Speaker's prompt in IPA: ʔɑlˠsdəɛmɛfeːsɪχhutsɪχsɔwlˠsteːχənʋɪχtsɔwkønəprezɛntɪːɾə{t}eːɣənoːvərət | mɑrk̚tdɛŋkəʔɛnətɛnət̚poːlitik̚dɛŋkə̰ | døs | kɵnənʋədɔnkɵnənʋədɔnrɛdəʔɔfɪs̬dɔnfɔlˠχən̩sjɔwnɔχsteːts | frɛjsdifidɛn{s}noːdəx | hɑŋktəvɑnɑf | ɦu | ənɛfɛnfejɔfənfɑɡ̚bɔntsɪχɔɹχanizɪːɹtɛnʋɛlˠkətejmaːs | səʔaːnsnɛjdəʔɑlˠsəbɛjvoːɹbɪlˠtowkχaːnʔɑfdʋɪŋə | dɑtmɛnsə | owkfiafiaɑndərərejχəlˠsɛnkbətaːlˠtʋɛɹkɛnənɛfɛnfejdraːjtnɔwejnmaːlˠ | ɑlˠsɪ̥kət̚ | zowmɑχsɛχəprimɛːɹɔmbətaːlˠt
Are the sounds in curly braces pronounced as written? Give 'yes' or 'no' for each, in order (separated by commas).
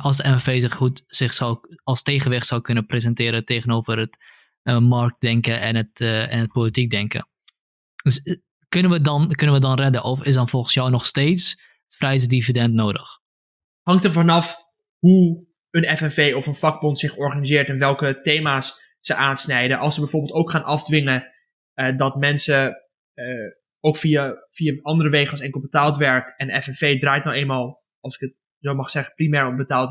yes, no